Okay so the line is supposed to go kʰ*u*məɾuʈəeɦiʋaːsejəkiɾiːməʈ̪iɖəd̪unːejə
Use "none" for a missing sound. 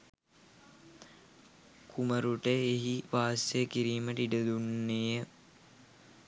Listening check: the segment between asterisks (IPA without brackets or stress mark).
u